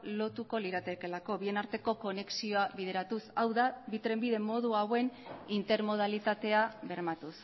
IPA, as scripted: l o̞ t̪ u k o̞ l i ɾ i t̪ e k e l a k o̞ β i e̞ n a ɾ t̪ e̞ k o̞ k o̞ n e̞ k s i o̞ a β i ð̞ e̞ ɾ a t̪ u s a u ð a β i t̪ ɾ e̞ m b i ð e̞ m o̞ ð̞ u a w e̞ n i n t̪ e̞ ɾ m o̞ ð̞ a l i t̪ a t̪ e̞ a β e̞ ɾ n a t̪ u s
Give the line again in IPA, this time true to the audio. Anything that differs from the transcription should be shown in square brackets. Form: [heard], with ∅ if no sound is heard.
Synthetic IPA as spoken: l o̞ t̪ u k o̞ l i ɾ [a] t̪ e k e l a k o̞ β i e̞ n a ɾ t̪ e̞ k o̞ k o̞ n e̞ k s i o̞ a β i ð̞ e̞ ɾ a t̪ u s a [w] ð a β i t̪ ɾ e̞ m b i ð e̞ m o̞ ð̞ u a w e̞ n i n t̪ e̞ ɾ m o̞ ð̞ a l i t̪ a t̪ e̞ a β e̞ ɾ [m] a t̪ u s